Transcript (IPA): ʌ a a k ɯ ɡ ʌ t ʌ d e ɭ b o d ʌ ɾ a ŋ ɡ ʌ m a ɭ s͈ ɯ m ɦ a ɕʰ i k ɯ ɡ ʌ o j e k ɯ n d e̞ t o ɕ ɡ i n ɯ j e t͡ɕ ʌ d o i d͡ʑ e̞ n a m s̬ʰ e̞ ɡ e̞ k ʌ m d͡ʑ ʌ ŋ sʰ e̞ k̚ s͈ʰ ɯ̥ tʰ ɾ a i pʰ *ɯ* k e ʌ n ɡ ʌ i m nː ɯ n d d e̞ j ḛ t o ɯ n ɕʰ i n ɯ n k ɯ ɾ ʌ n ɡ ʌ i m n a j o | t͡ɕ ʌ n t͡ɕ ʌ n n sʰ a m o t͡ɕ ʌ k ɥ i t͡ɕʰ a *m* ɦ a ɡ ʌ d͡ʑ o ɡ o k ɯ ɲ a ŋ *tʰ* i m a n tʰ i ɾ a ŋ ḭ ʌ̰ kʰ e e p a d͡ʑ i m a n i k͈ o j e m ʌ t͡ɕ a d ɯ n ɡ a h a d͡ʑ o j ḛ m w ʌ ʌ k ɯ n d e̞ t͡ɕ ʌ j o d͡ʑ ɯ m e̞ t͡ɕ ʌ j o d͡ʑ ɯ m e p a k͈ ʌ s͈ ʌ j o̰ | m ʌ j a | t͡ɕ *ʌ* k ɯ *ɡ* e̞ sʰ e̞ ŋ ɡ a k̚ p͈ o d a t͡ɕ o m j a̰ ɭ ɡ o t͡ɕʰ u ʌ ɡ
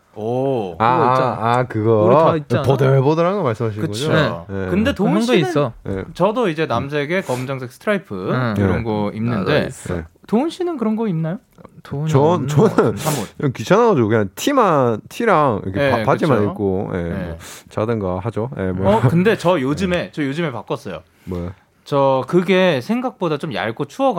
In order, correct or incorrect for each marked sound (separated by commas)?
correct, incorrect, correct, correct, correct